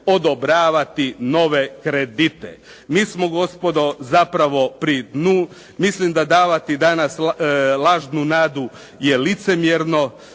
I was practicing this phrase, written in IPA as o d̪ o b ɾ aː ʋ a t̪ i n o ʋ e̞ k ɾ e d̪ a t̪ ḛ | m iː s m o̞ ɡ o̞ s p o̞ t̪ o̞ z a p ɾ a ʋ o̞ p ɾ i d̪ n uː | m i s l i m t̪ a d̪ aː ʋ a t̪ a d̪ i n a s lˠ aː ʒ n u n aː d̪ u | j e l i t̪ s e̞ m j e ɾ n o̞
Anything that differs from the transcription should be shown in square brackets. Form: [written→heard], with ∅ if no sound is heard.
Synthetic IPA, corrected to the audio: o d̪ o b ɾ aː ʋ a t̪ i n o ʋ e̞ k ɾ e d̪ [a→i] t̪ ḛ | m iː s m o̞ ɡ o̞ s p o̞ [t̪→d̪] o̞ z a p ɾ a ʋ o̞ p ɾ i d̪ n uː | m i s l i m [t̪→d̪] a d̪ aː ʋ a t̪ [a→i] d̪ [i→a] n a s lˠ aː ʒ n u n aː d̪ u | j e l i t̪ s e̞ m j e ɾ n o̞